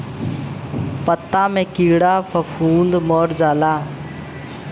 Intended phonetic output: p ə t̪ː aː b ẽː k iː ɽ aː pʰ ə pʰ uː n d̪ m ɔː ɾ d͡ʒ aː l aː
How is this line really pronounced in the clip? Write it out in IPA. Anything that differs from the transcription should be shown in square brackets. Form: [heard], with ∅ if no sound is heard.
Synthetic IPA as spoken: p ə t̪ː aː [m] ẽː k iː ɽ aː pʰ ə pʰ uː n d̪ m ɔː ɾ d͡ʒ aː l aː